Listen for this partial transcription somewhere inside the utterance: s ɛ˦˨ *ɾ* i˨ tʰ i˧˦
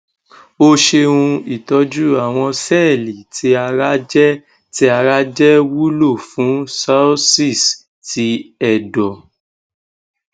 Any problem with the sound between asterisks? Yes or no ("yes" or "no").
yes